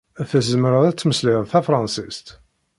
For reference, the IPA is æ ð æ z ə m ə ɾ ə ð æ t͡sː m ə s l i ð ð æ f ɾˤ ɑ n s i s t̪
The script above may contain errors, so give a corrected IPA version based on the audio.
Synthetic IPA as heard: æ θ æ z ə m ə ɾ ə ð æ t͡sː m ə s l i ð θ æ f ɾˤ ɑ n s i s t̪